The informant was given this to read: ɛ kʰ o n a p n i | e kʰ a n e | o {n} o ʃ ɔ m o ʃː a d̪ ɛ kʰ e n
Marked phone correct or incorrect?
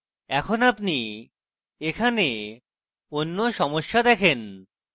incorrect